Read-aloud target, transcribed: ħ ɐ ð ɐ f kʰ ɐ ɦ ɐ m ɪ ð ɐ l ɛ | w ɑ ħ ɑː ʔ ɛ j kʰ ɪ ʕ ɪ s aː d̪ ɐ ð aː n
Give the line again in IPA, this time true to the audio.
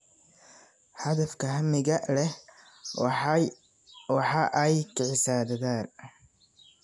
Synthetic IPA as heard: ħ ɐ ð ɐ f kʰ ɐ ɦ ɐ m ɪ ɣ ɐ l ɛ | w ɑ ħ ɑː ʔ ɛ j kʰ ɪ ʕ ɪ s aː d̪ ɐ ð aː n

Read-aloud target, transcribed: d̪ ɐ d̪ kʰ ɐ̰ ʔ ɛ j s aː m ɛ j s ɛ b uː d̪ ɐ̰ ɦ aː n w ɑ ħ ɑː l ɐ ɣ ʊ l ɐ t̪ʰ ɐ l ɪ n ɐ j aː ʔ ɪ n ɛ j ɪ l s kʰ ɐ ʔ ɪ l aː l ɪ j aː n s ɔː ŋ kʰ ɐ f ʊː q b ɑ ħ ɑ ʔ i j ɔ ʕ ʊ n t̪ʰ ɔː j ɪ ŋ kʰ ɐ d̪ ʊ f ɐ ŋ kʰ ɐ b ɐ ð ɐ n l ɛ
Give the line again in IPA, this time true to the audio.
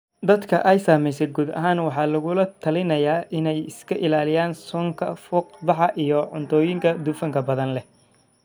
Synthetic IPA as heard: d̪ ɐ d̪ kʰ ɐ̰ ʔ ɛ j s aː m ɛ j s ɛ ɡ uː d̪ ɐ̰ ɦ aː n w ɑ ħ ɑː l ɐ ɣ ʊ l ɐ t̪ʰ ɐ l ɪ n ɐ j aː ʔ ɪ n ɛ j ɪ s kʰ ɐ ʔ ɪ l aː l ɪ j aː n s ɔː ŋ kʰ ɐ f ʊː q b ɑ ħ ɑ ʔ i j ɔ ʕ ʊ n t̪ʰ ɔː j ɪ ŋ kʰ ɐ d̪ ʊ f ɐ ŋ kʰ ɐ b ɐ ð ɐ n l ɛ

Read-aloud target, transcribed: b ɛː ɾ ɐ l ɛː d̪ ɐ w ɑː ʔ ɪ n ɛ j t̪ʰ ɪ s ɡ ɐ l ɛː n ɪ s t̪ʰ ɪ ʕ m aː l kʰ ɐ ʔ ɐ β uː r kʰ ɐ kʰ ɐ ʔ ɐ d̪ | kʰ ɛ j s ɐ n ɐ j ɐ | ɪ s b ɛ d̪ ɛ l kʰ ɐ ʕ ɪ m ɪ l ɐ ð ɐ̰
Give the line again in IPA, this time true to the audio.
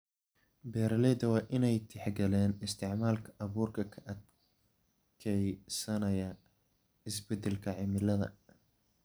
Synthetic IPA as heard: b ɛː ɾ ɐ l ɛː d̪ ɐ w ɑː ʔ ɪ n ɛ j t̪ʰ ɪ ħ ɡ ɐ l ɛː n ɪ s t̪ʰ ɪ ʕ m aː l kʰ ɐ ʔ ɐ β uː r kʰ ɐ kʰ ɐ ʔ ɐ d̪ | kʰ ɛ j s ɐ n ɐ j ɐ | ɪ s b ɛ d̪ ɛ l kʰ ɐ ʕ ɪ m ɪ l ɐ ð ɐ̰

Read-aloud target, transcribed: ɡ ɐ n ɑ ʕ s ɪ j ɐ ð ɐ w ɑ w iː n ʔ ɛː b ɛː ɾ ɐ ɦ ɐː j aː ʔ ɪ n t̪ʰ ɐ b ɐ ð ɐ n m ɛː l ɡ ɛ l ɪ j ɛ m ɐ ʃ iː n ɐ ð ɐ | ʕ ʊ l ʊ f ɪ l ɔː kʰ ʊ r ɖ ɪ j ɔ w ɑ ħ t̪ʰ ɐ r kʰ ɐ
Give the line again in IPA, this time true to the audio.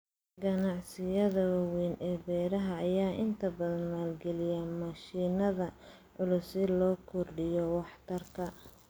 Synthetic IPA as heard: ɡ ɐ n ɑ ʕ s ɪ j ɐ ð ɐ w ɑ w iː n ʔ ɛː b ɛː ɾ ɐ ɦ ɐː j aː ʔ ɪ n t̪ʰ ɐ b ɐ ð ɐ n m aː l ɡ ɛ l ɪ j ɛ m ɐ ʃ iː n ɐ ð ɐ | ʕ ʊ l ʊ s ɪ l ɔː kʰ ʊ r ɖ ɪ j ɔ w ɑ ħ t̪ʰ ɐ r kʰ ɐ

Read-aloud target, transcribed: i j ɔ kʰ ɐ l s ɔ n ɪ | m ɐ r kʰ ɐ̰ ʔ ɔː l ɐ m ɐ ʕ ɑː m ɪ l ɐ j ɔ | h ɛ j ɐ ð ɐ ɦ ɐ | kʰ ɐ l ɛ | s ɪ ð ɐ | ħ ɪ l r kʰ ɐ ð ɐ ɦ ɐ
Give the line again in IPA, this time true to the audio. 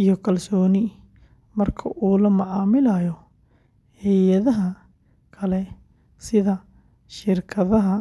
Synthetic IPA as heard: i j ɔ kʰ ɐ l s ɔː n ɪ | m ɐ r kʰ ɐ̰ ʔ uː l ɐ m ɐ ʕ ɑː m ɪ l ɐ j ɔ | h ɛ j ɐ ð ɐ ɦ ɐ | kʰ ɐ l ɛ | s ɪ ð ɐ | ʃ ɪ r kʰ ɐ ð ɐ ɦ ɐ

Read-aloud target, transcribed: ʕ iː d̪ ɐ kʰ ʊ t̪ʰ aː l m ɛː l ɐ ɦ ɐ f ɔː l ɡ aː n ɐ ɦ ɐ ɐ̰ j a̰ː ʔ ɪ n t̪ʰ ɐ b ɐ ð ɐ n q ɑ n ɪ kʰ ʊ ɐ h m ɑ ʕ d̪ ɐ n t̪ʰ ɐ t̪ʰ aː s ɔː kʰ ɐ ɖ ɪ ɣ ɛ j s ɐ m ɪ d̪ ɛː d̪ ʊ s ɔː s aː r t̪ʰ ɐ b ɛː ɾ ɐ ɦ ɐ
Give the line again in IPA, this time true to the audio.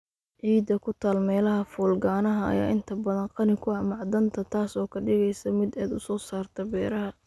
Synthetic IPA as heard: ʕ iː d̪ ɐ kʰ ʊ t̪ʰ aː l m ɛː l ɐ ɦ ɐ f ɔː l ɡ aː n ɐ ɦ ɐ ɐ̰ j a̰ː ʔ ɪ n t̪ʰ ɐ b ɐ ð ɐ n q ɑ n ɪ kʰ ʊ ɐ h m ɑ ʕ d̪ ɐ n t̪ʰ ɐ t̪ʰ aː s ɔː kʰ ɐ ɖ ɪ ɣ ɛ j s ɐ m ɪ d̪ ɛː d̪ ʊ s ɔː s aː r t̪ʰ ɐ b ɛː ɾ ɐ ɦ ɐ

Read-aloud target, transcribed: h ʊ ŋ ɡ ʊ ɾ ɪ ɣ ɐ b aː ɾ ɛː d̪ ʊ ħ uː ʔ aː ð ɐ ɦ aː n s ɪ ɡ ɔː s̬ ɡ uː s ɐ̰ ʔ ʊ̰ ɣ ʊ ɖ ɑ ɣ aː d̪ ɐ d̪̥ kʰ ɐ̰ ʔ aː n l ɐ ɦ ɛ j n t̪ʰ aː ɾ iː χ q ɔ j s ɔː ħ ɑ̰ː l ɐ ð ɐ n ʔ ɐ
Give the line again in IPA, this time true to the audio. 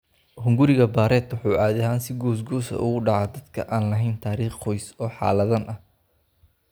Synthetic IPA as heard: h ʊ ŋ ɡ ʊ ɾ ɪ ɣ ɐ b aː ɾ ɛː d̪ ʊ ħ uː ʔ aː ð ɐ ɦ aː n s ɪ ɡ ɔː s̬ ɡ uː s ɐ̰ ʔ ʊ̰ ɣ ʊ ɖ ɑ ʕ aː d̪ ɐ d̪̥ kʰ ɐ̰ ʔ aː n l ɐ ɦ ɛ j n t̪ʰ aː ɾ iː χ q ɔ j s ɔː ħ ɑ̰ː l ɐ ð ɐ n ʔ ɐ

